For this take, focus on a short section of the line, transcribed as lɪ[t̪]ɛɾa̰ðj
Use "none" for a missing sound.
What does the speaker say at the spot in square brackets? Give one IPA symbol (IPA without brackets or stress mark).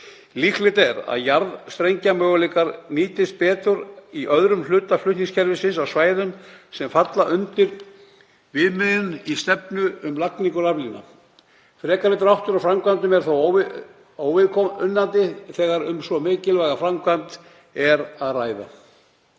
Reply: t̪